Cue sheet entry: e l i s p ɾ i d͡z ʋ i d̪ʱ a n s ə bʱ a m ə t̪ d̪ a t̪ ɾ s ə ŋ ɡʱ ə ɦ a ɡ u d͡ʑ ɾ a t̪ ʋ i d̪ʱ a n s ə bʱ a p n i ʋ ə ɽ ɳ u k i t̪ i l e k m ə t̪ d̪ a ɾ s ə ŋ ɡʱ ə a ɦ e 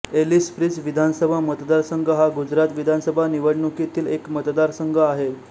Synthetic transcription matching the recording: e l i s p ɾ i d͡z ʋ i d̪ʱ a n s ə bʱ a m ə t̪ d̪ a ɾ s ə ŋ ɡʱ ə ɦ a ɡ u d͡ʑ ɾ a t̪ ʋ i d̪ʱ a n s ə bʱ a n i ʋ ə ɽ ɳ u k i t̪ iː l e k m ə t̪ d̪ a ɾ s ə ŋ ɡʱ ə a ɦ e